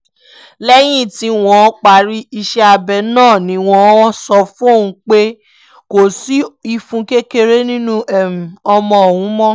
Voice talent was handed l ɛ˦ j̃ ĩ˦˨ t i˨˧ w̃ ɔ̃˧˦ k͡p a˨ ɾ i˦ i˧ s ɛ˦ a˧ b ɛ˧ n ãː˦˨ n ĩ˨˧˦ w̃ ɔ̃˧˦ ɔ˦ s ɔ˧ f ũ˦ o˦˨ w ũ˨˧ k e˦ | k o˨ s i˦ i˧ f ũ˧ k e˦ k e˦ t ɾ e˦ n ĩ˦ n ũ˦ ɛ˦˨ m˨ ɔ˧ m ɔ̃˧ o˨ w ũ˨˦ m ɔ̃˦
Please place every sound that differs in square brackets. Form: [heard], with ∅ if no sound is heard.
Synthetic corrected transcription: l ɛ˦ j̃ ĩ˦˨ t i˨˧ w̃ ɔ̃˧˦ k͡p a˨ ɾ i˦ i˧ [ʃ] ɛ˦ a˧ b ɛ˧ n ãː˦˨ n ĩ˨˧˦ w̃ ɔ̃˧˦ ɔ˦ s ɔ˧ f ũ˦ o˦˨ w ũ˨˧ [k͡p] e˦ | k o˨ s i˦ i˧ f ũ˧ k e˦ k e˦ [∅] ɾ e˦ n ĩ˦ n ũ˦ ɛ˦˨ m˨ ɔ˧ m ɔ̃˧ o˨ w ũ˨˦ m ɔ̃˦